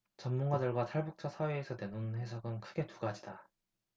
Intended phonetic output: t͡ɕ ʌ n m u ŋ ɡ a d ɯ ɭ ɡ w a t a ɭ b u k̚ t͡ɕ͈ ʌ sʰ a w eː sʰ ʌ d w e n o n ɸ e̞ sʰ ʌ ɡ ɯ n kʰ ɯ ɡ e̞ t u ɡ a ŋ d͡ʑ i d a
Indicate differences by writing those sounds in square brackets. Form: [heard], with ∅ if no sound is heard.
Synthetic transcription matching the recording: t͡ɕ ʌ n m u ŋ ɡ a d ɯ ɭ ɡ w a t a ɭ b u k̚ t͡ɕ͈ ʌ sʰ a w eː sʰ ʌ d w e n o n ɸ e̞ sʰ ʌ ɡ ɯ n kʰ ɯ ɡ e̞ t u ɡ a [∅] d͡ʑ i d a